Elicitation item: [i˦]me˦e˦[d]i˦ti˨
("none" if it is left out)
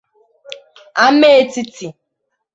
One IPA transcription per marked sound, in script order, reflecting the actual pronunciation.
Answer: a˦, t

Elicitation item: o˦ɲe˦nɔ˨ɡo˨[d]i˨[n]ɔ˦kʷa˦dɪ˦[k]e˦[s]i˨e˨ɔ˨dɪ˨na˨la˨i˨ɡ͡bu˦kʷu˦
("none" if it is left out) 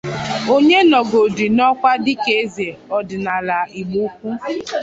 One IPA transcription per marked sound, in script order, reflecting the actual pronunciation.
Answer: d, n, k, z

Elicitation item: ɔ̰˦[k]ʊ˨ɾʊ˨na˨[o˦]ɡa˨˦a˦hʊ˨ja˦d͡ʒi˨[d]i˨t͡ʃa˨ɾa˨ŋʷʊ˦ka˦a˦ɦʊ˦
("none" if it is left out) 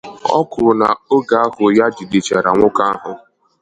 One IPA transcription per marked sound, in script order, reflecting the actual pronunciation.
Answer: k, o˦, d

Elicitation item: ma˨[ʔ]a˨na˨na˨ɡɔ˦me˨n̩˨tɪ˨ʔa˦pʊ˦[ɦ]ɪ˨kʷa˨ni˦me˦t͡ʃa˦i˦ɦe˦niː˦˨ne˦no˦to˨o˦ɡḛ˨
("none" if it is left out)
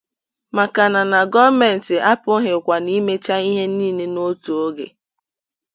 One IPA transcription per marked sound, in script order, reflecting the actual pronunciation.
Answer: k, ɦ

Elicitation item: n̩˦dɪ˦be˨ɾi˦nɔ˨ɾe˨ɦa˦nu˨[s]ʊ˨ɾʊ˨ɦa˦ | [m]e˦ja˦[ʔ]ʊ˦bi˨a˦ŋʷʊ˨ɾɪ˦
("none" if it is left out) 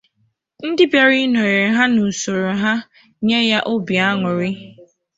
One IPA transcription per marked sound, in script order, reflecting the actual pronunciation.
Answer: s, ɲ, ʔ

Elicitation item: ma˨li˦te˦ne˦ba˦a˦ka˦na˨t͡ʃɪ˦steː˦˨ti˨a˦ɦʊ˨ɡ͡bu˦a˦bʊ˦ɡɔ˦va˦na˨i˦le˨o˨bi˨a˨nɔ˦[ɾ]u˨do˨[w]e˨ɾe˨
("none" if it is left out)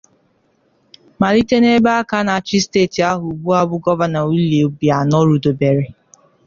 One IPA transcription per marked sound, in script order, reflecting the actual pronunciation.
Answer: ɾ, b

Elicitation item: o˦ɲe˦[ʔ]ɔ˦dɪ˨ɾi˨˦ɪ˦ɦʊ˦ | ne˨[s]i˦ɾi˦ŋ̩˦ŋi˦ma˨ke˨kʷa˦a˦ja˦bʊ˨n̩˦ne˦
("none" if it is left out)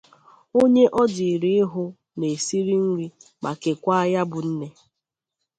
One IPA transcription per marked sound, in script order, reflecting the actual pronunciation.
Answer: ʔ, s

